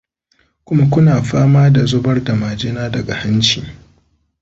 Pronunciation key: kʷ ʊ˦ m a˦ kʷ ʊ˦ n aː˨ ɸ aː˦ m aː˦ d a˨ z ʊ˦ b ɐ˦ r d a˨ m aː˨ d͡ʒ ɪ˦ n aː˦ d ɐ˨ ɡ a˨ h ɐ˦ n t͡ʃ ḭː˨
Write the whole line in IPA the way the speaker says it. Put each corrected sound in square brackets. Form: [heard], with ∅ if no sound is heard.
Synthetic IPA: kʷ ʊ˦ m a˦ kʷ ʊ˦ n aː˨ ɸ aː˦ m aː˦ d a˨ z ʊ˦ b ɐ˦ r d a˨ m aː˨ d͡ʒ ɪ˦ n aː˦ d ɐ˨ ɡ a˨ h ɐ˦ n t͡ʃ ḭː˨